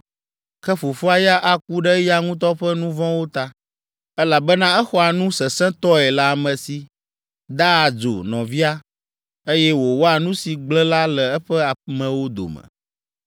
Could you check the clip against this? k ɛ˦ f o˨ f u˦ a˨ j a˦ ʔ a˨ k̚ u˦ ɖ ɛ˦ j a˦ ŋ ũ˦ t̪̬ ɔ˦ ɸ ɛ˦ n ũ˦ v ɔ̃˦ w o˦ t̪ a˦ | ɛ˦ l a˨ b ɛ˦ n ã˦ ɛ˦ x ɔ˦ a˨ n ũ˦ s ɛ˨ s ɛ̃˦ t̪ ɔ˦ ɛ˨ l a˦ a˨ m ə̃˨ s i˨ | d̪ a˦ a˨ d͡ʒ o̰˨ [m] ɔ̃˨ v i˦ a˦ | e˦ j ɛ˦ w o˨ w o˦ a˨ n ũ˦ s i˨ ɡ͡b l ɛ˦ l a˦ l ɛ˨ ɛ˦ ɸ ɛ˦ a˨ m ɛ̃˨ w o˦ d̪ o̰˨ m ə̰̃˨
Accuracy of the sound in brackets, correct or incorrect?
incorrect